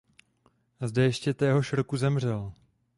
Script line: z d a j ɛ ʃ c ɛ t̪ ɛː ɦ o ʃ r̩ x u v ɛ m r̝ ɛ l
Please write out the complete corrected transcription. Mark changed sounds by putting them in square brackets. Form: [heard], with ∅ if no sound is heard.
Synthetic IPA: z d [ɛ] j ɛ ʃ c ɛ t̪ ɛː ɦ o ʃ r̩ [k] u [z] ɛ m r̝ ɛ l

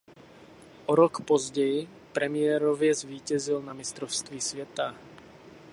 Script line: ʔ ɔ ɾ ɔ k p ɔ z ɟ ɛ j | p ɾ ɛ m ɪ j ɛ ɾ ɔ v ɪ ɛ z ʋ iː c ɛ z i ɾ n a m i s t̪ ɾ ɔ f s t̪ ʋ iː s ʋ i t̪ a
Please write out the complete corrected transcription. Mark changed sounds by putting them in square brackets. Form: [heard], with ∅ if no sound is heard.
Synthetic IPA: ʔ ɔ ɾ ɔ k p ɔ z ɟ ɛ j | p ɾ ɛ m ɪ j ɛ ɾ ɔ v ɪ ɛ z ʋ iː c ɛ z i [l] n a m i s t̪ ɾ ɔ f s t̪ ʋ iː s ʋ [ɛ] t̪ a

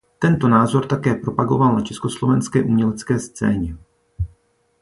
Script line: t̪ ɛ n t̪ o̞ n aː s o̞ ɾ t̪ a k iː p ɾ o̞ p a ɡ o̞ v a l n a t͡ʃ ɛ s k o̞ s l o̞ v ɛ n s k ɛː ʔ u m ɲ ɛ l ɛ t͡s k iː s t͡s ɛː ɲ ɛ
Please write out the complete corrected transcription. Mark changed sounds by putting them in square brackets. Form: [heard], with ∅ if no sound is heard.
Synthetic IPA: t̪ ɛ n t̪ o̞ n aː [z] o̞ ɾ t̪ a k [ɛː] p ɾ o̞ p a ɡ o̞ v a l n a t͡ʃ ɛ s k o̞ s l o̞ v ɛ n s k ɛː ʔ u m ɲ ɛ l ɛ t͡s k [ɛː] s t͡s ɛː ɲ ɛ

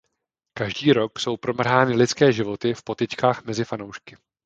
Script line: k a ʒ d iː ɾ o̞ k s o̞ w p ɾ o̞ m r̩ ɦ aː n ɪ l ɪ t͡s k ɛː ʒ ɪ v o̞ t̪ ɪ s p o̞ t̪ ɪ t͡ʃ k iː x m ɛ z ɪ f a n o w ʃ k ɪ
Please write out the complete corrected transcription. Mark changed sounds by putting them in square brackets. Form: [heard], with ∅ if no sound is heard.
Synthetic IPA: k a ʒ d iː ɾ o̞ k s o̞ w p ɾ o̞ m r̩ ɦ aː n ɪ l ɪ t͡s k ɛː ʒ ɪ v o̞ t̪ ɪ [f] p o̞ t̪ ɪ t͡ʃ k [aː] x m ɛ z ɪ f a n o w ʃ k ɪ

